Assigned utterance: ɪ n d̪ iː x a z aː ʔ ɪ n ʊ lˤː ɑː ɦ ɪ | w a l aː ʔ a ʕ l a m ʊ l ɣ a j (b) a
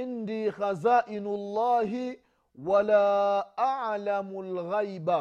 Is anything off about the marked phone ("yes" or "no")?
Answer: no